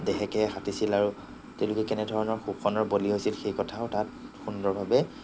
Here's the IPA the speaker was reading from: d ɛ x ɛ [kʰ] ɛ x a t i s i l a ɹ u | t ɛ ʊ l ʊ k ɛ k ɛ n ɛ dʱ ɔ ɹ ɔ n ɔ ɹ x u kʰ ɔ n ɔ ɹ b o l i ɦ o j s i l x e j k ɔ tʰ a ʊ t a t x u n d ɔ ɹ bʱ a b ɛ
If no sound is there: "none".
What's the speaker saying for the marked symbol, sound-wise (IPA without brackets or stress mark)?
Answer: k